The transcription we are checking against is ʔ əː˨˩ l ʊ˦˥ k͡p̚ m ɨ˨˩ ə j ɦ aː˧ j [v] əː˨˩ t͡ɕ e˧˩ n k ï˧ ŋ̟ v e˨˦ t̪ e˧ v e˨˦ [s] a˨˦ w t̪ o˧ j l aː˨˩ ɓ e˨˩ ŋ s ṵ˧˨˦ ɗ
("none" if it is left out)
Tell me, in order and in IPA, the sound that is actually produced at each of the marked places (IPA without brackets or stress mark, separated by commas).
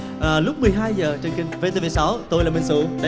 z, s